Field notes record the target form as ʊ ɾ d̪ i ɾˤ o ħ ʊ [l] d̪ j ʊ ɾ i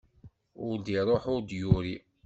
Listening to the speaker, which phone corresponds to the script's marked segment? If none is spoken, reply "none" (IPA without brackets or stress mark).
ɾ